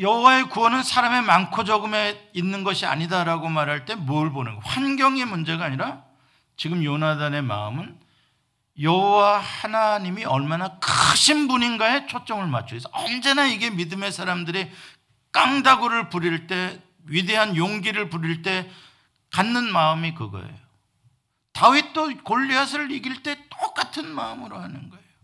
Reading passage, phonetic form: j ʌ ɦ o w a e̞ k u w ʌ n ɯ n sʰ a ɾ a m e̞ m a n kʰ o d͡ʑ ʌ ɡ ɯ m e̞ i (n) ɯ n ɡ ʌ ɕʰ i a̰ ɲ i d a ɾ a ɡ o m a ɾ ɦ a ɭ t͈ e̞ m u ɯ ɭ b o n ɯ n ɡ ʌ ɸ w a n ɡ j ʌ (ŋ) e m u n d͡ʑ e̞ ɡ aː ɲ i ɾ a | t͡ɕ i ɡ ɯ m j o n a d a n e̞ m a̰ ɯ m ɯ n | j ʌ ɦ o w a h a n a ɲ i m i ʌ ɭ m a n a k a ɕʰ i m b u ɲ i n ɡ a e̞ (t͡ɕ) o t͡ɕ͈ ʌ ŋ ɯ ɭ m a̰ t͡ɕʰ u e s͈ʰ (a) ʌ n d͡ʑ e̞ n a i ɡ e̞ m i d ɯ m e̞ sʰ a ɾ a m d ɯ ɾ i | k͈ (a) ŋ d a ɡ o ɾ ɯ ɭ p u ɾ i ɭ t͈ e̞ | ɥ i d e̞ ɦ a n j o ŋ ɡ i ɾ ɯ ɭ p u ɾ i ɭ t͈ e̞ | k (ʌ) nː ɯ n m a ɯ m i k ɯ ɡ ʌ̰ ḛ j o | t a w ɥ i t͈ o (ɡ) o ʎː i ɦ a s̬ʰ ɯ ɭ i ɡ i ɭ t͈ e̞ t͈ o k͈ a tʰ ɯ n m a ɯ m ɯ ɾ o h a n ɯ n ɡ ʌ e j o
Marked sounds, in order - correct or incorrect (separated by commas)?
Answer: incorrect, correct, incorrect, incorrect, correct, incorrect, incorrect